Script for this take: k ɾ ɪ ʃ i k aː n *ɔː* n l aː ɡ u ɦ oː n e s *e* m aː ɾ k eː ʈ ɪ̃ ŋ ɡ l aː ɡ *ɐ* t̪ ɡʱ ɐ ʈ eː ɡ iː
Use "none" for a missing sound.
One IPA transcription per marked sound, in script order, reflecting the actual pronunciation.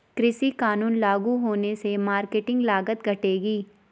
uː, e, ə

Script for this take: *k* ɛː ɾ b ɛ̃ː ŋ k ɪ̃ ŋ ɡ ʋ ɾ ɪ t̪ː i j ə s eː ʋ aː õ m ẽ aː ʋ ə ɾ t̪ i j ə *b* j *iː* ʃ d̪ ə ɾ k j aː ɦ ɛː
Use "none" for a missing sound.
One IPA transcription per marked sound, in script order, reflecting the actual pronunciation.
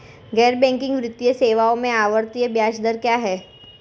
ɡ, b, aː

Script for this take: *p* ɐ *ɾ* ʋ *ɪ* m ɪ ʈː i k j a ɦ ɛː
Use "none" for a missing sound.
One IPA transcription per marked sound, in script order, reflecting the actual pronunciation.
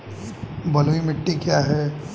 b, l, i

